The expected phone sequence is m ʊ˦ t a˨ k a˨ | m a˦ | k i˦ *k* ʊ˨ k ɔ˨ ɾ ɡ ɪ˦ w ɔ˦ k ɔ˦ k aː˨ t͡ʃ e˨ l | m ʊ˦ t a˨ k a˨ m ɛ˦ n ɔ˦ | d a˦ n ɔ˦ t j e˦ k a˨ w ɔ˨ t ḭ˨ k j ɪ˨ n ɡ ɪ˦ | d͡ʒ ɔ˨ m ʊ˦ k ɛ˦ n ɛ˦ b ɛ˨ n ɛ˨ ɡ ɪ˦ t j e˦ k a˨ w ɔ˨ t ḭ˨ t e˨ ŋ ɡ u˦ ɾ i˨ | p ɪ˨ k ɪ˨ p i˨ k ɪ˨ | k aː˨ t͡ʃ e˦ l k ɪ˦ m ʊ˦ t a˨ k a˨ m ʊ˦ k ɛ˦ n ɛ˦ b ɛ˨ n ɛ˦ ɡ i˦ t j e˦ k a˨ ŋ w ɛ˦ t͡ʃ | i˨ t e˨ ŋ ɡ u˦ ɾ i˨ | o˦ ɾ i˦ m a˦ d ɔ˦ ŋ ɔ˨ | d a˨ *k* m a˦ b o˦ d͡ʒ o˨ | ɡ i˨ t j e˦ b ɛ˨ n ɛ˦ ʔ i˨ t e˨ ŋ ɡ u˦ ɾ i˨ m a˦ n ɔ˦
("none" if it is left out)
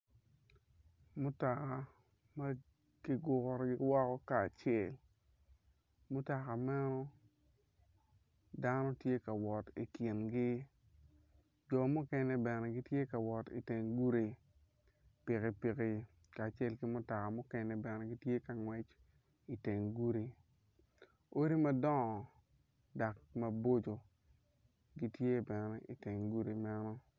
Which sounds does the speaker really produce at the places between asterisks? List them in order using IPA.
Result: ɡ, k

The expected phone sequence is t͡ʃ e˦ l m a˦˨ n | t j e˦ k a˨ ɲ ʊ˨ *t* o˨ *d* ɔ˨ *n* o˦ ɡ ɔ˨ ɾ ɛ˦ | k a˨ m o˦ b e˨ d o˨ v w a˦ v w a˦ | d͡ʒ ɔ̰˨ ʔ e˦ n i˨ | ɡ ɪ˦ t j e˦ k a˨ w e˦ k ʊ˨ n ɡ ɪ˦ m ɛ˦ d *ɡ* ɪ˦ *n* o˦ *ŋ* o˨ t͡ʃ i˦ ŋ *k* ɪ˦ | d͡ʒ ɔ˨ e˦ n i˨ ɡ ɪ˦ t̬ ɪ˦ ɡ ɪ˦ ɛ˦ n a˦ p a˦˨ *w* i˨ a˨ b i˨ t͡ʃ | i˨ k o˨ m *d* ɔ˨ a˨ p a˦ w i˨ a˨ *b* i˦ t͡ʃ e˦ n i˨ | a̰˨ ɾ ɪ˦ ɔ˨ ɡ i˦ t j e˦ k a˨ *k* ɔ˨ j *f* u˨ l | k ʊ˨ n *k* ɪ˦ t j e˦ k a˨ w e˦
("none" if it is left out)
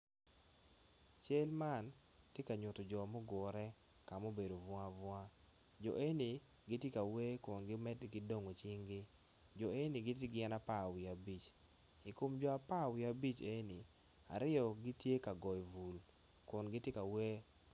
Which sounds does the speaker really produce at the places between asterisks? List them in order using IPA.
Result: t, d͡ʒ, m, ɡ, d, ŋ, ɡ, w, d͡ʒ, b, ɡ, v, ɡ

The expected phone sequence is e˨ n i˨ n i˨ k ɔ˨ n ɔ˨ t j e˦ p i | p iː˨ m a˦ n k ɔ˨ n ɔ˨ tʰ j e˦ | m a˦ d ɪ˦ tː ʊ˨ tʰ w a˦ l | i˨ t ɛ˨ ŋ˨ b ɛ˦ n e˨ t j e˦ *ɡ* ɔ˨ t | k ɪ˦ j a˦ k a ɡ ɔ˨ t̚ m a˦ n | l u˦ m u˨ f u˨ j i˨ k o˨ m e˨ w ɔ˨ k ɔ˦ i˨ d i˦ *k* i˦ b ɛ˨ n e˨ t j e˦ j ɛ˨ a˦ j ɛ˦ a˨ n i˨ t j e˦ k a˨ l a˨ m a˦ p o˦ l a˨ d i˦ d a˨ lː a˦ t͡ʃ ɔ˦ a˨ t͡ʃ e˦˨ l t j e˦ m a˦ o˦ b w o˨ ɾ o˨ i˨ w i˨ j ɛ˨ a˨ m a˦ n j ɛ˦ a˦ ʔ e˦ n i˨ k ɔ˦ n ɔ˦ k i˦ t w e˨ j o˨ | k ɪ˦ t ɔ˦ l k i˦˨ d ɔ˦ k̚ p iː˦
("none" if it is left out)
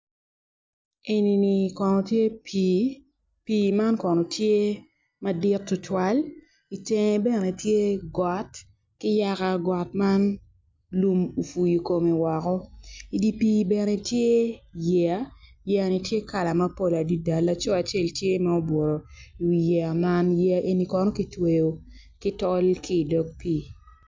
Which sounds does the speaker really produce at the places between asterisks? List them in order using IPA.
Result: ɡ, p

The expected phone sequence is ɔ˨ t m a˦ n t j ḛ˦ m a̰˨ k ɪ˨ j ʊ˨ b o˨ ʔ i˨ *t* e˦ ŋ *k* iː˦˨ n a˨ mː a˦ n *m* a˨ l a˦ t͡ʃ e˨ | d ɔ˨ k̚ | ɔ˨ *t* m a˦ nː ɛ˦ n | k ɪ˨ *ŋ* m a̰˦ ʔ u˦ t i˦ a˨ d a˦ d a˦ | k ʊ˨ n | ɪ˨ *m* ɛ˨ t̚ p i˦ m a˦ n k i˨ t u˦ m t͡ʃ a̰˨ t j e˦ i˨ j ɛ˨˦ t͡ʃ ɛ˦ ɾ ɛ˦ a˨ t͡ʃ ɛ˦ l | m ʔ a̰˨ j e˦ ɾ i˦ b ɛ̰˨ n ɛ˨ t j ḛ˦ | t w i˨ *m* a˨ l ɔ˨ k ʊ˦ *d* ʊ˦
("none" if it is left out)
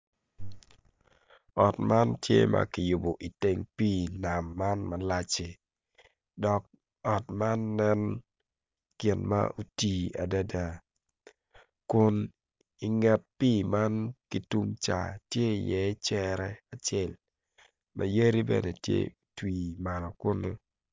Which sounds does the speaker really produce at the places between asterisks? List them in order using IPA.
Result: t, p, m, t, n, ŋ, m, n

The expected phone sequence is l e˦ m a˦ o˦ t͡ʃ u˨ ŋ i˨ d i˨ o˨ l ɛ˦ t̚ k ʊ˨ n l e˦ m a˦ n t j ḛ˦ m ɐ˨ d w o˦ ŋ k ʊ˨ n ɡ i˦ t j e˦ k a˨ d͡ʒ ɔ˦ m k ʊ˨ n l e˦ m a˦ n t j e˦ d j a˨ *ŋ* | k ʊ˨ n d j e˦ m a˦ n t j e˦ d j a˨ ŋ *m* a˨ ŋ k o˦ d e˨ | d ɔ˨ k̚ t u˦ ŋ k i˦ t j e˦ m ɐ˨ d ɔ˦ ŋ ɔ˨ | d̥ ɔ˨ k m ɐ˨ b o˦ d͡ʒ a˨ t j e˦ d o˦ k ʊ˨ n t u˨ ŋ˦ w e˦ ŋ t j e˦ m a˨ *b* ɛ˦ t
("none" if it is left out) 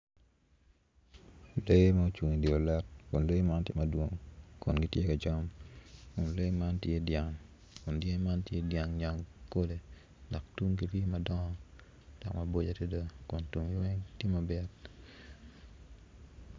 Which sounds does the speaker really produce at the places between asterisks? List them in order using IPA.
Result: ŋ, ɲ, b

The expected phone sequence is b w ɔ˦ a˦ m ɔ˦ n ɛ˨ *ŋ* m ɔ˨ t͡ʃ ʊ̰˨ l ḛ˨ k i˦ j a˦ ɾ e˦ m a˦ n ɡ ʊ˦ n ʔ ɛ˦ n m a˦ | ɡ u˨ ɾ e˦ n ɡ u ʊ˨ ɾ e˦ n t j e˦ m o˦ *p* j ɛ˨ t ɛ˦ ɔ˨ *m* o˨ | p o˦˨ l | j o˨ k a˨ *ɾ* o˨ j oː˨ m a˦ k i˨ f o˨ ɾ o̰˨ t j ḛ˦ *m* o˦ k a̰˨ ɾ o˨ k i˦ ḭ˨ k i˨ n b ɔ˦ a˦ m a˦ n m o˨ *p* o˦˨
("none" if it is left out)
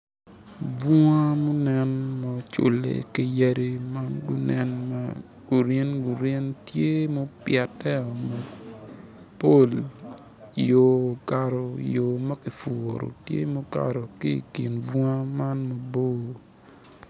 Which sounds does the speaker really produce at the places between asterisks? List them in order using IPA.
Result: n, p, m, ɾ, m, b

